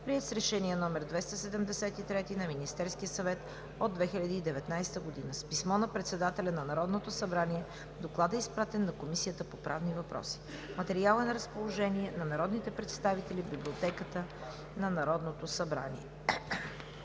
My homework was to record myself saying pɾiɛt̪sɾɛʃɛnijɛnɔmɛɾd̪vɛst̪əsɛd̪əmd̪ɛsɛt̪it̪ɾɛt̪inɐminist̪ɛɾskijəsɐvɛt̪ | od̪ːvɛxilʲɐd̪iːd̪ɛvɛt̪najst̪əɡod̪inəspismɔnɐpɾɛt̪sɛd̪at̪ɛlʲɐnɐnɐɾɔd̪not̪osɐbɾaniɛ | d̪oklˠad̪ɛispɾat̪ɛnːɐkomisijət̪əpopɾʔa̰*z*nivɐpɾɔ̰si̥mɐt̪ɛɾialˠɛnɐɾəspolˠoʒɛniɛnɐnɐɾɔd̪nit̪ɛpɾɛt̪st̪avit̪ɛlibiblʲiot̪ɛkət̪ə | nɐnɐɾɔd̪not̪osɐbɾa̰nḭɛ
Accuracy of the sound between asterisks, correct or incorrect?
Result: incorrect: v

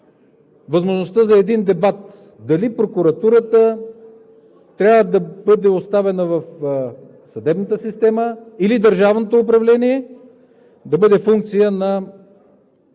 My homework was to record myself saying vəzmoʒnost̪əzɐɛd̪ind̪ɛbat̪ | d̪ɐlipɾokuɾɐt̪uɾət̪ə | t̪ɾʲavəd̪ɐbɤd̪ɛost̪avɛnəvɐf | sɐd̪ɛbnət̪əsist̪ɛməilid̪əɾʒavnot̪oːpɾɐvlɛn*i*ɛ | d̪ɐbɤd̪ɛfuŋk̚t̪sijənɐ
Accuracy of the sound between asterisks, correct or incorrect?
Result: correct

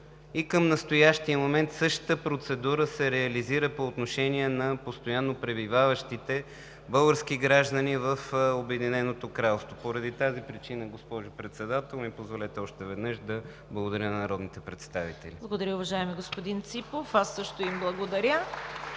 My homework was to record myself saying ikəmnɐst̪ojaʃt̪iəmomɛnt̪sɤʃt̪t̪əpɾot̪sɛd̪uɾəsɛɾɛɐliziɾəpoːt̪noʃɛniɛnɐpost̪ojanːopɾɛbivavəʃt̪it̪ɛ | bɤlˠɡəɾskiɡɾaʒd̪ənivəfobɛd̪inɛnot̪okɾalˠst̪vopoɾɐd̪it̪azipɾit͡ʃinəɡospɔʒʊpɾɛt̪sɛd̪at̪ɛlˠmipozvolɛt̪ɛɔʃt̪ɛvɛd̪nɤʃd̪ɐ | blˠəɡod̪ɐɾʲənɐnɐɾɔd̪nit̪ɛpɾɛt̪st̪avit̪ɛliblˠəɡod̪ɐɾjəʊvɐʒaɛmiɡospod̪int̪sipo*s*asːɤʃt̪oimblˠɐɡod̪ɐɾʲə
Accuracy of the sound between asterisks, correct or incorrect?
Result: incorrect: f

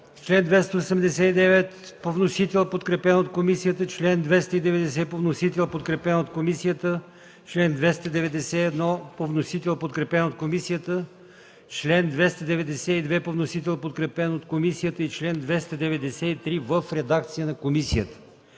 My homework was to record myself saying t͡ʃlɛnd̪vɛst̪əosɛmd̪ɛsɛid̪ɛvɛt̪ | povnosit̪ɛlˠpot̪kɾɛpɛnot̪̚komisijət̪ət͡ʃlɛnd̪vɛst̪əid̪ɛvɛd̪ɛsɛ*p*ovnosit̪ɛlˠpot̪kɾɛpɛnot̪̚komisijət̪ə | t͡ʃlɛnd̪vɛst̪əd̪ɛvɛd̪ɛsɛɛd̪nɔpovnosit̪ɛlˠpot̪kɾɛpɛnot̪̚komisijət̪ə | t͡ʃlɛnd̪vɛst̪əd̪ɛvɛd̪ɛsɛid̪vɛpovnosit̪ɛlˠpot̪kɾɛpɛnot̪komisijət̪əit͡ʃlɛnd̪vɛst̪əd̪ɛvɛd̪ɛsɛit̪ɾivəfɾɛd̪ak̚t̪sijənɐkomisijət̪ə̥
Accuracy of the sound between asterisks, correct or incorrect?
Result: correct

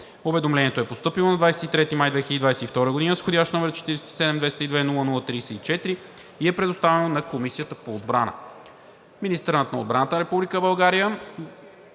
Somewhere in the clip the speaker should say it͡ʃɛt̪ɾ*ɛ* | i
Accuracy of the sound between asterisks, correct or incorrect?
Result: incorrect: i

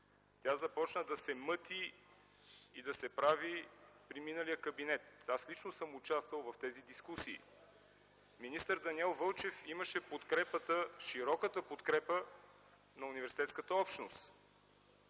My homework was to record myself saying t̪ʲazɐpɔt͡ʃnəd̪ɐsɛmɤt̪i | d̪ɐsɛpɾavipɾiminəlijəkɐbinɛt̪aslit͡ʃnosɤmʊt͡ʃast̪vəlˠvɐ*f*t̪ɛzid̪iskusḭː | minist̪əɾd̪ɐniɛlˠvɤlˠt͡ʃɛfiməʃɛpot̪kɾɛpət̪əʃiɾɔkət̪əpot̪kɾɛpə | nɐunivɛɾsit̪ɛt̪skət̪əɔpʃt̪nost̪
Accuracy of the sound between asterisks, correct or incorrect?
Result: correct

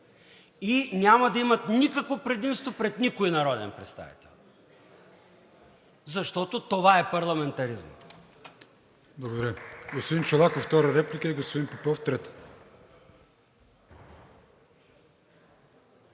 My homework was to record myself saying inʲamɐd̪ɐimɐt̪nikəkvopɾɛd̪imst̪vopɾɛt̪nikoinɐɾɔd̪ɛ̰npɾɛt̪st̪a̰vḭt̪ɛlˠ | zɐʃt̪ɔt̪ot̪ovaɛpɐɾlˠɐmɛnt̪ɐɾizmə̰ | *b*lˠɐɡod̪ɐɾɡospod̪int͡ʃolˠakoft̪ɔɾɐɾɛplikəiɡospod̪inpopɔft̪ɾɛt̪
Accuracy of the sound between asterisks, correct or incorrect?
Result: correct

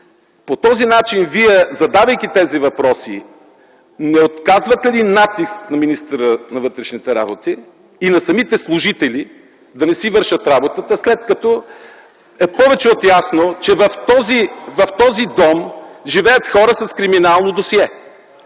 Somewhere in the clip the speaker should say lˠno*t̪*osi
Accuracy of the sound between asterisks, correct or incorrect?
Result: incorrect: d̪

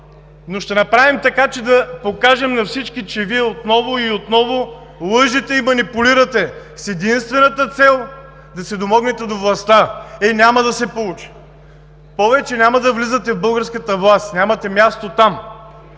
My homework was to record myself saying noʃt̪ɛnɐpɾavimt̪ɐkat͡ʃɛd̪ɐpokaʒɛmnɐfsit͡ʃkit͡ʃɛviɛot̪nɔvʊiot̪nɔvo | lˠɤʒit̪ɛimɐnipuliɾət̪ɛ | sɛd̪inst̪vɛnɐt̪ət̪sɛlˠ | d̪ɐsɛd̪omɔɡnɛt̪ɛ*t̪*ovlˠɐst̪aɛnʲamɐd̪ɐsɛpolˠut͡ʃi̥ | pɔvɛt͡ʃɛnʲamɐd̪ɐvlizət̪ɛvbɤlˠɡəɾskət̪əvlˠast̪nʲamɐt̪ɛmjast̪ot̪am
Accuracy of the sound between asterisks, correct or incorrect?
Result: incorrect: d̪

